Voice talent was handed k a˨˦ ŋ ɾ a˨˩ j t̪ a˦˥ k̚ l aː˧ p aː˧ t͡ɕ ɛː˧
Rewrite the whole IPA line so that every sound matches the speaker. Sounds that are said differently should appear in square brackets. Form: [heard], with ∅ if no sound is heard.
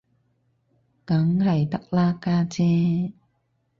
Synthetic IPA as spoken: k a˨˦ ŋ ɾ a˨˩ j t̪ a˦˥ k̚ l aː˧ [k] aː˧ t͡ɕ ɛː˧